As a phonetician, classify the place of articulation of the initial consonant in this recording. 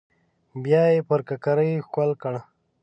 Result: labial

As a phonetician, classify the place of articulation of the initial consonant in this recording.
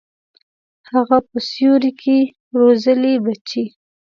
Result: glottal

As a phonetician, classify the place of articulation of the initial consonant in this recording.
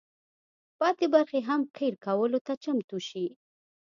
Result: labial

